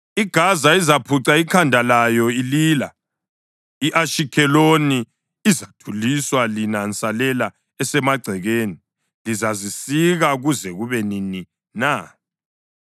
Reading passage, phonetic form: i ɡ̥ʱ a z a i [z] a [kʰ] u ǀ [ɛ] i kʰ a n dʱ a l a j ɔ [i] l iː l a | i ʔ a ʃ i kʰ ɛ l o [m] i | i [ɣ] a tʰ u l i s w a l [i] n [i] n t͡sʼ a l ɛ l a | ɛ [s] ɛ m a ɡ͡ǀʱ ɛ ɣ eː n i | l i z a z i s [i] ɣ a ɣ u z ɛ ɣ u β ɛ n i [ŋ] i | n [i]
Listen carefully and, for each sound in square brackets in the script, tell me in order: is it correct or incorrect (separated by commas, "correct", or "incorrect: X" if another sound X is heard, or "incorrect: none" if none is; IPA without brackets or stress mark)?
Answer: correct, incorrect: pʰ, incorrect: a, correct, incorrect: n, incorrect: z, correct, incorrect: a, correct, correct, incorrect: n, incorrect: a